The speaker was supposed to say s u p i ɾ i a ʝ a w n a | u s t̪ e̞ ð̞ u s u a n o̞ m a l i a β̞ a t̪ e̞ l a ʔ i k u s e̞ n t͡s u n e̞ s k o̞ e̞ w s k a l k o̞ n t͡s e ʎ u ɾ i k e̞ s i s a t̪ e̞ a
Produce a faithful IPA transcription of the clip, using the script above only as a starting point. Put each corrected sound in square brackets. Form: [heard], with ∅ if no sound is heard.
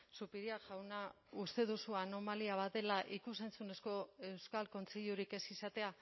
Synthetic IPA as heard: s u p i ɾ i a ʝ a w n a | u s t̪ e̞ ð̞ u s u a n o̞ m a l i a β̞ a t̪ e̞ l a ʔ i k u s e̞ n t͡s u n e̞ s k o̞ e̞ w s k a l k o̞ n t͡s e ʎ u ɾ i k e̞ s i s a t̪ e̞ a

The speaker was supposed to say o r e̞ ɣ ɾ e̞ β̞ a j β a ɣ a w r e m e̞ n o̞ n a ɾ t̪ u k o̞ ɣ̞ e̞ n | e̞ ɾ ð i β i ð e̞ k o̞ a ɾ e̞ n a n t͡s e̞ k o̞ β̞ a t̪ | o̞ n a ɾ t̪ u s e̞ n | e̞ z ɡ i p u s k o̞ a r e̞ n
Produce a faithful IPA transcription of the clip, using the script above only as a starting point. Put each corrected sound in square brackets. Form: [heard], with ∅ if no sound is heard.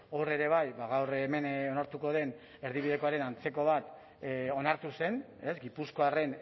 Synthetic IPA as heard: o r e̞ [∅] ɾ e̞ β̞ a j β a ɣ a w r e m e̞ n o̞ n a ɾ t̪ u k o̞ [ð̞] e̞ n | e̞ ɾ ð i β i ð e̞ k o̞ a ɾ e̞ n a n t͡s e̞ k o̞ β̞ a t̪ | o̞ n a ɾ t̪ u s e̞ n | e̞ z ɡ i p u s k o̞ a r e̞ n

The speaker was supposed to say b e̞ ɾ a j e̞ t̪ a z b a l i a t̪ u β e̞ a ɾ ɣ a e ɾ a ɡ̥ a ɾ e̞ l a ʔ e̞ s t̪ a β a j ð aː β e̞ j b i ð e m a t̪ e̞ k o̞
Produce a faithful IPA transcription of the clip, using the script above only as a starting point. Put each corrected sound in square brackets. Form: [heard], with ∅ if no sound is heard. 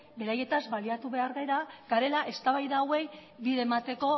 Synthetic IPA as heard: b e̞ ɾ a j e̞ t̪ a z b a l i a t̪ u β e̞ a ɾ ɣ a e ɾ a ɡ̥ a ɾ e̞ l a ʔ e̞ s t̪ a β a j ð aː [w] e̞ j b i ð e m a t̪ e̞ k o̞

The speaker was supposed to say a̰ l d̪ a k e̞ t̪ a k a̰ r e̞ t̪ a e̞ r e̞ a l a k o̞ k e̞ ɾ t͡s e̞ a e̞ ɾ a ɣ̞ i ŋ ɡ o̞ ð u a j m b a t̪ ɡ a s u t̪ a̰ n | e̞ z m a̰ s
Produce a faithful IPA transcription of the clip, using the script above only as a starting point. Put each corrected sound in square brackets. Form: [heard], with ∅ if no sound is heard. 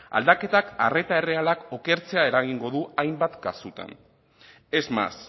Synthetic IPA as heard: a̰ l d̪ a k e̞ t̪ a k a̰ r e̞ t̪ a e̞ r e̞ a l a k o̞ k e̞ ɾ t͡s e̞ a e̞ ɾ a ɣ̞ i ŋ ɡ o̞ ð u a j m b a t̪ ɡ a s u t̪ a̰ n | e̞ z m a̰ s

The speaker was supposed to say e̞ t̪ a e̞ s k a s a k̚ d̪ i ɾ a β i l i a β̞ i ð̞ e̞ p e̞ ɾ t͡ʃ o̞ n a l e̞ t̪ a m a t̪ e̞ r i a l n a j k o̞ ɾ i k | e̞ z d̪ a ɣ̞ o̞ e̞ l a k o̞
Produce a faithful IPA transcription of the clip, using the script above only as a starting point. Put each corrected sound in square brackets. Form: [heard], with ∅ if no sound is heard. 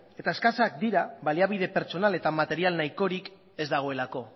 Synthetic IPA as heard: e̞ t̪ a e̞ s k a s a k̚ d̪ i ɾ a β [a] l i a β̞ i ð̞ e̞ p e̞ ɾ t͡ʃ o̞ n a l e̞ t̪ a m a t̪ e̞ [ɾ] i a l n a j k o̞ ɾ i k | e̞ z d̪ a ɣ̞ o̞ e̞ l a k o̞

